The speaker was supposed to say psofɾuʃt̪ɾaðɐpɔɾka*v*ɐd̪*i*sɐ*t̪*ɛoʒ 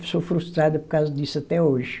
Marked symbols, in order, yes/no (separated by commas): no, yes, yes